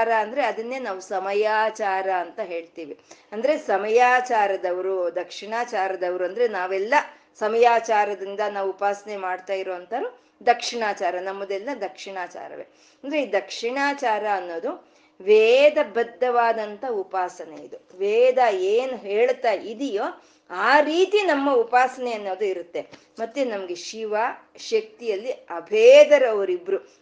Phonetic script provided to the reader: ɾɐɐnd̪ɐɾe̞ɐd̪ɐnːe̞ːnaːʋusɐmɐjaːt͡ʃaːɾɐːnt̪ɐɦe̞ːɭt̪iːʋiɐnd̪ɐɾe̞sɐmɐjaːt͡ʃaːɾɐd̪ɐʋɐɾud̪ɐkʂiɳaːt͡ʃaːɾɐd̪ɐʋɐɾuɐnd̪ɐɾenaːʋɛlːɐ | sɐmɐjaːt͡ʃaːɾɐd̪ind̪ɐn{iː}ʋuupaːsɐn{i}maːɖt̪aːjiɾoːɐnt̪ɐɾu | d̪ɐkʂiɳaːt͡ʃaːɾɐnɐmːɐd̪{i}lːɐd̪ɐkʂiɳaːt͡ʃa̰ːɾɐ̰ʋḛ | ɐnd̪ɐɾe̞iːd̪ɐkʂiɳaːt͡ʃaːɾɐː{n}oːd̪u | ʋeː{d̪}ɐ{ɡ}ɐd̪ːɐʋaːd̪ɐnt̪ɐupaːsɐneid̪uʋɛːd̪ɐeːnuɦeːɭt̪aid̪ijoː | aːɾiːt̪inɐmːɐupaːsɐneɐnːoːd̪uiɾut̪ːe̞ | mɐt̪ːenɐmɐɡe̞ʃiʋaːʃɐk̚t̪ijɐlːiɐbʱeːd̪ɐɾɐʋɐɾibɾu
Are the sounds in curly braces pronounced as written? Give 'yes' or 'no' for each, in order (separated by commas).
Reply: no, no, no, no, yes, no